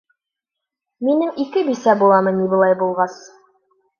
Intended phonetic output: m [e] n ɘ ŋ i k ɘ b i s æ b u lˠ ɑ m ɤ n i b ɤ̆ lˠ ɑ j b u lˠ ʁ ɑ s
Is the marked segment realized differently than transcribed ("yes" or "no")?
yes